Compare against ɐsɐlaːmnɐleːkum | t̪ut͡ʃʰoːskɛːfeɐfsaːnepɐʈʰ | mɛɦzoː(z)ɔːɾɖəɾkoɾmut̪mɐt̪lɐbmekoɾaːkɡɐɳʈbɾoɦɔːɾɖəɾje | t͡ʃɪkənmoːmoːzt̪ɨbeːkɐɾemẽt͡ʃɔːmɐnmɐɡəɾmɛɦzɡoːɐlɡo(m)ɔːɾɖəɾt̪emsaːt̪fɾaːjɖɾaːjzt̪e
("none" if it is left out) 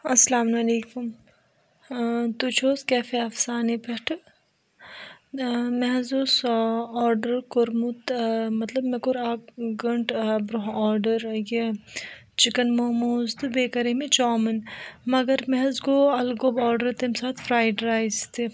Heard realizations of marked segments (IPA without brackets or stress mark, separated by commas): s, b